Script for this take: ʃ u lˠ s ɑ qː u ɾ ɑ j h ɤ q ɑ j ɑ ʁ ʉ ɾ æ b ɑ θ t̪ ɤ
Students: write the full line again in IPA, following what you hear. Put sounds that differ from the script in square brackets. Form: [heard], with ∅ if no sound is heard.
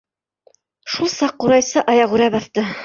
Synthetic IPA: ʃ u lˠ s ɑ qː u ɾ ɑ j [s] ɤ [ʔ] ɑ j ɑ ʁ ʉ ɾ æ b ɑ θ t̪ ɤ